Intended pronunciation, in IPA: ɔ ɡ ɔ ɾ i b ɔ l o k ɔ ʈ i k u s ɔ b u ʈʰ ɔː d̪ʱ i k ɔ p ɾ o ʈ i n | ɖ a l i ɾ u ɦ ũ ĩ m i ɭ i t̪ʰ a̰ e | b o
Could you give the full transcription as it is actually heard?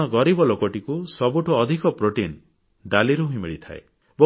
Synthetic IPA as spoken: ɔ ɡ ɔ ɾ i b ɔ l o k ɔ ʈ i k u s ɔ b u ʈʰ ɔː d̪ʱ i k ɔ p ɾ o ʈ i n | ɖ a l i ɾ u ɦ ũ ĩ m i ɭ i t̪ʰ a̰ e | b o